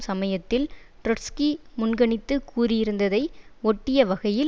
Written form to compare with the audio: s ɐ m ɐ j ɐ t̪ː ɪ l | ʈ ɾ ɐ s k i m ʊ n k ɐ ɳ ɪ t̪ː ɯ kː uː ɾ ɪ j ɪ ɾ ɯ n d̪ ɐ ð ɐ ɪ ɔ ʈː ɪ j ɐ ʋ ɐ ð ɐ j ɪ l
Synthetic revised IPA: s ɐ m ɐ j ɐ t̪ː ɪ l | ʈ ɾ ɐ s k i m ʊ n ɡ ɐ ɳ ɪ t̪ː ɯ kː uː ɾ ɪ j ɪ ɾ ɯ n d̪ ɐ ð ɐ ɪ ɔ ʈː ɪ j ɐ ʋ ɐ ɣ ɐ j ɪ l